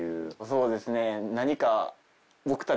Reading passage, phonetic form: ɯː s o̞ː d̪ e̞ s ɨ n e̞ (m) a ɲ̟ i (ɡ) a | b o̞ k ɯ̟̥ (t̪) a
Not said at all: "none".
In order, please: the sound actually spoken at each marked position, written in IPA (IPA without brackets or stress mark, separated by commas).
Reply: n, k, t̪